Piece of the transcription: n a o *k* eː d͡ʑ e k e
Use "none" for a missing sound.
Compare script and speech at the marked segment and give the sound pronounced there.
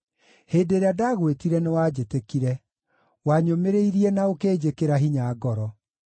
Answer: k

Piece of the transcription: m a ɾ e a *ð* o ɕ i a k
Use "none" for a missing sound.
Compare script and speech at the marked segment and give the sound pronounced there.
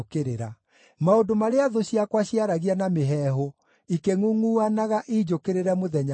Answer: ð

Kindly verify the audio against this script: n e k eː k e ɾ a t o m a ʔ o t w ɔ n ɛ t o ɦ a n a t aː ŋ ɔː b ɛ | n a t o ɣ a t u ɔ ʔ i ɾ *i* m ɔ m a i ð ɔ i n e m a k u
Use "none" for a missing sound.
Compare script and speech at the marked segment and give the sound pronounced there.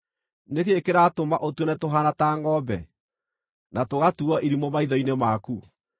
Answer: i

